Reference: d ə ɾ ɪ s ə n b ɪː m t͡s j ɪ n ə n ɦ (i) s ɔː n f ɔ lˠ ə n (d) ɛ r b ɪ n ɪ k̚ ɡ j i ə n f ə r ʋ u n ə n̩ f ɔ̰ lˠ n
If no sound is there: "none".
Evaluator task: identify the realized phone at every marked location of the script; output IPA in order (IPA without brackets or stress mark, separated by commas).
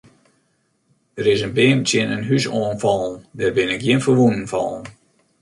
y, d